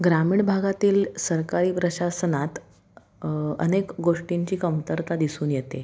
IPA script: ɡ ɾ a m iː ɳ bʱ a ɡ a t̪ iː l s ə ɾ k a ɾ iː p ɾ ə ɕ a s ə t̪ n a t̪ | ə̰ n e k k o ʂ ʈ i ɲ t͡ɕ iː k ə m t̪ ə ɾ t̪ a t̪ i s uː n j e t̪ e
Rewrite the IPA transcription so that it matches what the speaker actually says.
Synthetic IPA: ɡ ɾ a m iː ɳ bʱ a ɡ a t̪ iː l s ə ɾ k a ɾ iː p ɾ ə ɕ a s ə n a t̪ | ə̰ n e k ɡ o ʂ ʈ i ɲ t͡ɕ iː k ə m t̪ ə ɾ t̪ a d̪ i s uː n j e t̪ e